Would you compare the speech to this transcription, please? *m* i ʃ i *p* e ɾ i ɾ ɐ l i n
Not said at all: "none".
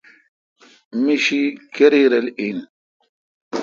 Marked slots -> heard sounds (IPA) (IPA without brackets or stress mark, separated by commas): m, k